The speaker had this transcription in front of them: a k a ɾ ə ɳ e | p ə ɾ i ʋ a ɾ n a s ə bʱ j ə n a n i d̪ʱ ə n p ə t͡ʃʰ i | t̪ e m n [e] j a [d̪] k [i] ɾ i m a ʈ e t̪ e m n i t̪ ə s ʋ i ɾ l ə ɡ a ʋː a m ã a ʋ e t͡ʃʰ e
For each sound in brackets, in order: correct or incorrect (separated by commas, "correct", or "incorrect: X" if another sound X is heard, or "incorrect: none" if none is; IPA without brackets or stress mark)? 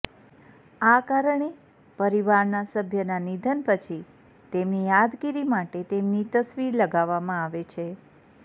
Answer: incorrect: i, correct, correct